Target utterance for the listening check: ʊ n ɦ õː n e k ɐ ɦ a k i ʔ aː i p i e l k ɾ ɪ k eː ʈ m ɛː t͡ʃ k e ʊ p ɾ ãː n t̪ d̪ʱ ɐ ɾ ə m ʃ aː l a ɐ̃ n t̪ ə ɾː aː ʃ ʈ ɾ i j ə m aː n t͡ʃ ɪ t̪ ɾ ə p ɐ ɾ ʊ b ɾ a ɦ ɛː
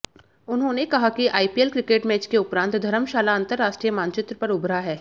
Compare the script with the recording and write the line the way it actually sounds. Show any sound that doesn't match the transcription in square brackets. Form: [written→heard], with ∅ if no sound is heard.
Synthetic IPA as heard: ʊ n ɦ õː n e k ɐ ɦ a k i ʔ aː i p i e l k ɾ ɪ k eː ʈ m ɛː t͡ʃ k e ʊ p ɾ ãː n t̪ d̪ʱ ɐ ɾ ə m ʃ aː l a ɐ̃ n t̪ ə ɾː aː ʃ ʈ ɾ i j ə m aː n t͡ʃ ɪ t̪ ɾ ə p ɐ ɾ ʊ b ɾ a ɦ ɛː